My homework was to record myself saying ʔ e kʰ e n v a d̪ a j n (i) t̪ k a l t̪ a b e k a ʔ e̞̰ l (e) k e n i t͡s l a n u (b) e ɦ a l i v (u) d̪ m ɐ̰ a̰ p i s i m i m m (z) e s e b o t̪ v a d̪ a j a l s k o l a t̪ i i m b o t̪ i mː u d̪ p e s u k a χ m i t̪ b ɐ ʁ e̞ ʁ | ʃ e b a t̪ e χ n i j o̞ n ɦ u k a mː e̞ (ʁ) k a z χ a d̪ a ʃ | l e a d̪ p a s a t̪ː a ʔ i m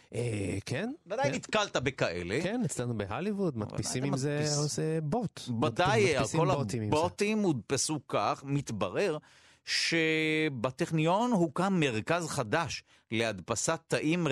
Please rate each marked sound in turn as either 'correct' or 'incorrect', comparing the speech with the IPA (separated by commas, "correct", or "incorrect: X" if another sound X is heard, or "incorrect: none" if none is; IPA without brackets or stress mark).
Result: correct, correct, correct, correct, correct, correct